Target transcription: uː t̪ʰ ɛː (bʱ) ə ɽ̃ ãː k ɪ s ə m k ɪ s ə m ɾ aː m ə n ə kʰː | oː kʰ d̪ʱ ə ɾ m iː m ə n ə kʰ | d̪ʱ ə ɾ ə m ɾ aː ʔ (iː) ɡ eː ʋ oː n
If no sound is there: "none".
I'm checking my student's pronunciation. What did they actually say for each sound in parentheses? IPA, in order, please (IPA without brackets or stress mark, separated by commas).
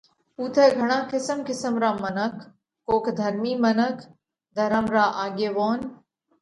ɡʱ, aː